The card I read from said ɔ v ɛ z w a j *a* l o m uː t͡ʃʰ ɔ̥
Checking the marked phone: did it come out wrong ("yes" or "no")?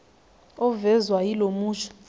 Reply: yes